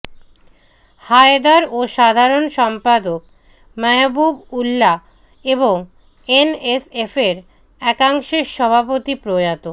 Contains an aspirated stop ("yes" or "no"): no